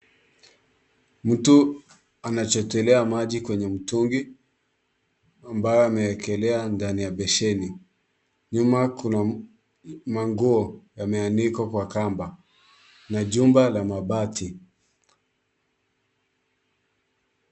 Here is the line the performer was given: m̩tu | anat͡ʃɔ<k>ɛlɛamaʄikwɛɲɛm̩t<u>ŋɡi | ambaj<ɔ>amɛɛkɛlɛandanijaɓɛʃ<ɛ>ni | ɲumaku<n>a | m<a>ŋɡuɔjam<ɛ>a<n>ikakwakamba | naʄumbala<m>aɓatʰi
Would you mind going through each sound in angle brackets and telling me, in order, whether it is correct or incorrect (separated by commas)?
incorrect, correct, correct, correct, correct, correct, correct, correct, correct